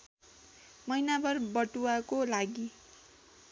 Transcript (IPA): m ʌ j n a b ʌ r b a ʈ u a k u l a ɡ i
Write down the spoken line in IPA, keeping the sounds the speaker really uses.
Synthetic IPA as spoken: m ʌ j n a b ʌ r b ʌ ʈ u a k o l a ɡ i